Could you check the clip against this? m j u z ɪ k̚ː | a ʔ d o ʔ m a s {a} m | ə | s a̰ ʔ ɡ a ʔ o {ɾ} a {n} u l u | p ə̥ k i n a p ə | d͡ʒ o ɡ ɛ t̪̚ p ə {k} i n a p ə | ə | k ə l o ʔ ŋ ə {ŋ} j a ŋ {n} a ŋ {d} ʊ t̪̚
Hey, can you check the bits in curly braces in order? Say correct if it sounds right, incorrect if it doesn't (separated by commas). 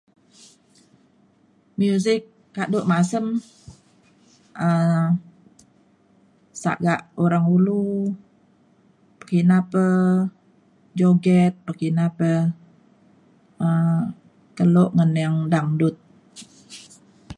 incorrect, correct, incorrect, correct, incorrect, incorrect, correct